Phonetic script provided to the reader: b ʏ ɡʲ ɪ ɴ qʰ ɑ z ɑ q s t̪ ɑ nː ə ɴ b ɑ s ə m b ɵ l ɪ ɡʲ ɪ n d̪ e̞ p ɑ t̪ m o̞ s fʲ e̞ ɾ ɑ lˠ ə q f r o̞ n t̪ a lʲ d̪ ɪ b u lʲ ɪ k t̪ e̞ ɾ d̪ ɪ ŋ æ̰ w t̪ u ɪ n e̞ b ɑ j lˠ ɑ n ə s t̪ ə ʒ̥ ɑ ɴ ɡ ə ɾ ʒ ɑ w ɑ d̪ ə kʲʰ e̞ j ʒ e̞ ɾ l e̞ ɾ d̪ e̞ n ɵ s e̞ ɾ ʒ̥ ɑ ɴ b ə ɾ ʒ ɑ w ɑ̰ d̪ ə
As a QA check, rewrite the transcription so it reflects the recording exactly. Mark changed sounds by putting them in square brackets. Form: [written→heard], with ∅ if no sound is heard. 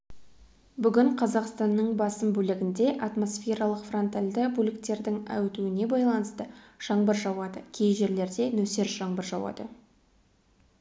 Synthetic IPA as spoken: b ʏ ɡʲ ɪ ɴ qʰ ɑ z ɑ q s t̪ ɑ nː ə ɴ b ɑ s ə m b ɵ l ɪ ɡʲ ɪ n d̪ e̞ [p→ʔ] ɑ t̪ m o̞ s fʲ e̞ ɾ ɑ lˠ ə q f r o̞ n t̪ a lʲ d̪ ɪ b u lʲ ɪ k t̪ e̞ ɾ d̪ ɪ ŋ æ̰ w t̪ u ɪ n e̞ b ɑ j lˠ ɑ n ə s t̪ ə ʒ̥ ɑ ɴ [ɡ→b] ə ɾ ʒ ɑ w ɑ d̪ ə kʲʰ e̞ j ʒ e̞ ɾ l e̞ ɾ d̪ e̞ n ɵ s e̞ ɾ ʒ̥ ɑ ɴ b ə ɾ ʒ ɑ w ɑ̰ d̪ ə